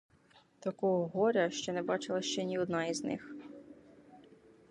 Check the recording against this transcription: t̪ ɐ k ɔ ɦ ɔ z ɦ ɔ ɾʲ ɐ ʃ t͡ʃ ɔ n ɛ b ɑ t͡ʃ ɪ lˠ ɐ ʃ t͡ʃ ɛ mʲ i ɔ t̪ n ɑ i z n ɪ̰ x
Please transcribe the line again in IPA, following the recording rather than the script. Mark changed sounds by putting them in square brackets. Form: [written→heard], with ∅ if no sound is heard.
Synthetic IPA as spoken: t̪ ɐ k ɔ ɦ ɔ [z→∅] ɦ ɔ ɾʲ ɐ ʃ t͡ʃ ɔ n ɛ b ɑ t͡ʃ ɪ lˠ ɐ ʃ t͡ʃ ɛ [mʲ→nʲ] i ɔ [t̪→d̪] n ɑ i z n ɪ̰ x